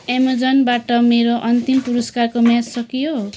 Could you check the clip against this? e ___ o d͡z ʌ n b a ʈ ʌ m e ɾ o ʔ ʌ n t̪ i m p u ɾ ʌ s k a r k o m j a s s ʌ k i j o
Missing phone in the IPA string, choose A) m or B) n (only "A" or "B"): A